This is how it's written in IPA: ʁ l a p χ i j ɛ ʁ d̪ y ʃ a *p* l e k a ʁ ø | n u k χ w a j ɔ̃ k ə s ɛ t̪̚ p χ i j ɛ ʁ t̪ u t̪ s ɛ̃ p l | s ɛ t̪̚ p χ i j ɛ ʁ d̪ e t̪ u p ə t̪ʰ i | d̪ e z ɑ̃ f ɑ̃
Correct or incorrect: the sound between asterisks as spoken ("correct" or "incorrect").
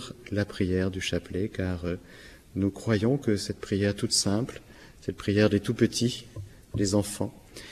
correct